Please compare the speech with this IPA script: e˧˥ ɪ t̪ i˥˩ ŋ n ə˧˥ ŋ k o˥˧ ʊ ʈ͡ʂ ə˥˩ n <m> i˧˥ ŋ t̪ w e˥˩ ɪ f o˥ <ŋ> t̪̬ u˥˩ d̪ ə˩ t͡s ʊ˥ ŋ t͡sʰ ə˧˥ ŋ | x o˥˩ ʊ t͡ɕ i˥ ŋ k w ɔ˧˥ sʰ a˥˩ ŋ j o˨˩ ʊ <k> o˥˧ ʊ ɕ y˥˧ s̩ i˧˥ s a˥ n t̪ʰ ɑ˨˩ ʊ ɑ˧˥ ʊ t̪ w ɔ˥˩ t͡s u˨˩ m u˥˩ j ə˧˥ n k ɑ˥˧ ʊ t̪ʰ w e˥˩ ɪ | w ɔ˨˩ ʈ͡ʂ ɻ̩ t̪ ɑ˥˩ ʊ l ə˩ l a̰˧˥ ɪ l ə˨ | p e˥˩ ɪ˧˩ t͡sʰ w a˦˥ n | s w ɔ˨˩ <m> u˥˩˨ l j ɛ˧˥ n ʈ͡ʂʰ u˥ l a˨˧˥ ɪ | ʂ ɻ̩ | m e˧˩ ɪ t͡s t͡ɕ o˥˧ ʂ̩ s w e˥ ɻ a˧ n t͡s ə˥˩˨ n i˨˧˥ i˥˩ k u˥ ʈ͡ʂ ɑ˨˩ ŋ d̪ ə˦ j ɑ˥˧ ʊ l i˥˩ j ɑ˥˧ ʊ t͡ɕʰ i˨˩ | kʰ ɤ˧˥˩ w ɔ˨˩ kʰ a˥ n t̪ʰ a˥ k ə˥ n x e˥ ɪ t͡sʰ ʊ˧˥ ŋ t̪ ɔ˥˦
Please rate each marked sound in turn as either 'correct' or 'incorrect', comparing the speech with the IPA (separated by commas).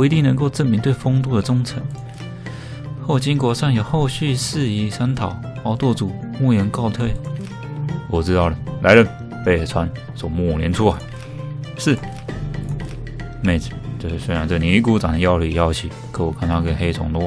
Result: correct, correct, incorrect, correct